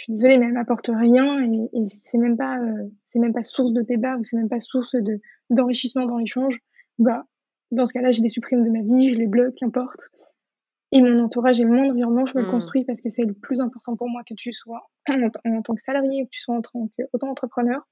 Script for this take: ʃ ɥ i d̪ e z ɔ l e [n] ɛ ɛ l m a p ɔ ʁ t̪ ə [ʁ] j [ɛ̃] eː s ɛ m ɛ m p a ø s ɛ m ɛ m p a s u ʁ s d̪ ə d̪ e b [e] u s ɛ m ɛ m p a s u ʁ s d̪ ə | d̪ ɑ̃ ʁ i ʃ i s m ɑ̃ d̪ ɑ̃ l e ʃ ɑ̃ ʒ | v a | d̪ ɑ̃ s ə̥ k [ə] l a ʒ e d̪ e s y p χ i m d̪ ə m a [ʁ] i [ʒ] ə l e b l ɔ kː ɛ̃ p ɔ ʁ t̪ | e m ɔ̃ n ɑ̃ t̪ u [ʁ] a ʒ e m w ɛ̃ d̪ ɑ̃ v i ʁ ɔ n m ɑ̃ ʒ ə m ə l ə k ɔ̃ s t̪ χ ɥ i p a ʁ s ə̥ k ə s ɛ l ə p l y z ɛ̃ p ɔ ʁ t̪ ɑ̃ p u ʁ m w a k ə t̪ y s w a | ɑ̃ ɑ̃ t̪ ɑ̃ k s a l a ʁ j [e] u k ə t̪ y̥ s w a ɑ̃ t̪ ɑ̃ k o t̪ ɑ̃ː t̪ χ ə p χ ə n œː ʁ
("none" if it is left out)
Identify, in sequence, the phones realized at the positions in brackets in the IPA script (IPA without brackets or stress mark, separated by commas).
m, ʁ, ɛ̃, a, a, v, ʒ, ʁ, e